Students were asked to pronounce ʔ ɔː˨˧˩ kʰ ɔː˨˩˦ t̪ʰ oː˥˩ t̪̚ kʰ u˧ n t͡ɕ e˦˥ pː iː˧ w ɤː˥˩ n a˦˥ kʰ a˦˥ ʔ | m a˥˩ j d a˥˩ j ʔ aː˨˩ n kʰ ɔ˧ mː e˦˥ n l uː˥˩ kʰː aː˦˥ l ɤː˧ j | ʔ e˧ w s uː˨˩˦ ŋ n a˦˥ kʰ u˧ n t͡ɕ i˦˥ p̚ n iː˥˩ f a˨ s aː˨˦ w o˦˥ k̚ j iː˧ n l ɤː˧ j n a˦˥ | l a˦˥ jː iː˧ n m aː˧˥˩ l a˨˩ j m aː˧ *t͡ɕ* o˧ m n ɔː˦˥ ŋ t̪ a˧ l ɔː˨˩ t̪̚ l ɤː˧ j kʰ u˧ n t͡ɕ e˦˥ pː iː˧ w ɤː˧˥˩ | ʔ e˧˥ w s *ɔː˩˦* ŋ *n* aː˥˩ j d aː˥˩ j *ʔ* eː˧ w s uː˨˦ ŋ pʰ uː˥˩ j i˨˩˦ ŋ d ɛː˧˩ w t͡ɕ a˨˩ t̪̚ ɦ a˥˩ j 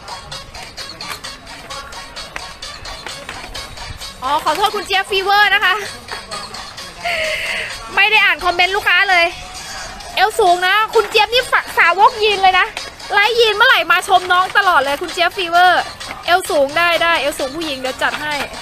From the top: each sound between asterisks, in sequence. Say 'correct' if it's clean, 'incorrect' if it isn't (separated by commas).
incorrect, incorrect, incorrect, correct